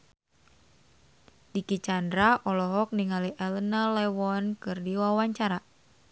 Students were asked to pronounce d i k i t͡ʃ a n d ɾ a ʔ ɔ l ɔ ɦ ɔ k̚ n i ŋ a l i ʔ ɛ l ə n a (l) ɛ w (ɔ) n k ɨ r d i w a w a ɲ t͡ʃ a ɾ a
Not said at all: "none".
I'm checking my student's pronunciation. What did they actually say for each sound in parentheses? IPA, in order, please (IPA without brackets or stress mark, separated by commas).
l, ɔ